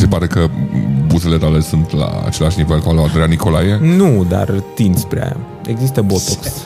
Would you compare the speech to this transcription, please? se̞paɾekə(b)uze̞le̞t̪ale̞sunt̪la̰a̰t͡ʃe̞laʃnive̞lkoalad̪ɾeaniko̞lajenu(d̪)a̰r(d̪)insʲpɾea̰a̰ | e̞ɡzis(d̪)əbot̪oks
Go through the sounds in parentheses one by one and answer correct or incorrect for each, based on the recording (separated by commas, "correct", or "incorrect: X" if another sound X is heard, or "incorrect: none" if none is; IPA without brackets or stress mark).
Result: correct, correct, incorrect: t̪, incorrect: t̪